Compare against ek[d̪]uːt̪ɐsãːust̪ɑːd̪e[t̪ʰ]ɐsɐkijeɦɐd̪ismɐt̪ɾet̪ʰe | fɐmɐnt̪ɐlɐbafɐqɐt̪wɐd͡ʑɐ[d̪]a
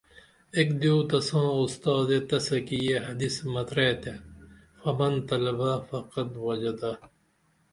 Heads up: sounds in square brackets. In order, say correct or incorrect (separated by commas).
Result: correct, incorrect, correct